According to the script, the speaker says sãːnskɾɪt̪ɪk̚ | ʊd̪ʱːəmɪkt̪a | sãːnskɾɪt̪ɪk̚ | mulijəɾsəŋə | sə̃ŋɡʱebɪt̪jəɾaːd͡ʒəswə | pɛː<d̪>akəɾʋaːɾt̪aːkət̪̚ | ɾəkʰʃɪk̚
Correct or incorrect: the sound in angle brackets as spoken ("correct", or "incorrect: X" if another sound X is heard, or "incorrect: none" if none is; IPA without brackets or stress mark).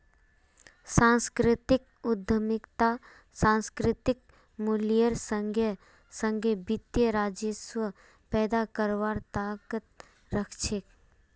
correct